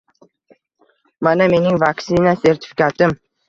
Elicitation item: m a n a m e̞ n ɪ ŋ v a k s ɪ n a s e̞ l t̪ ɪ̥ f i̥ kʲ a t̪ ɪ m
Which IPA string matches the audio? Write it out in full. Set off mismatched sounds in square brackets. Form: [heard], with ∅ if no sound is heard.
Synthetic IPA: m a n a m e̞ n ɪ ŋ v a k s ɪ n a s e̞ [ɾ] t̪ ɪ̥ f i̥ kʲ a t̪ ɪ m